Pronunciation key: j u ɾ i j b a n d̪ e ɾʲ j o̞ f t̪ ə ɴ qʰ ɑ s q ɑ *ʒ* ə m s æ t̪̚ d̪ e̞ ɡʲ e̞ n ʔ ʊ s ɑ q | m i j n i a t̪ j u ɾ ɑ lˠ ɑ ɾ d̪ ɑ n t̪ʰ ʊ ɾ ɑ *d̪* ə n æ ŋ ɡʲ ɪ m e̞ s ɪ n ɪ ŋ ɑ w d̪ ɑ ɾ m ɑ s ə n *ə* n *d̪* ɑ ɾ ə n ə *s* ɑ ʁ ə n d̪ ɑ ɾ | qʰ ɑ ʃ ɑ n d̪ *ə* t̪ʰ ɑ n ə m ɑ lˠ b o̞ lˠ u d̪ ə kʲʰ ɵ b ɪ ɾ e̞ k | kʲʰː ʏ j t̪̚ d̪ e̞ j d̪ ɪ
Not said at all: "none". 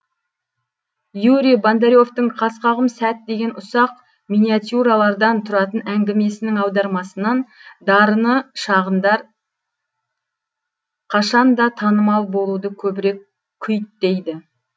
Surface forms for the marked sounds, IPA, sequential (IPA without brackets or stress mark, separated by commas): ʁ, t̪, ɑ, d̪, ʃ, ɑ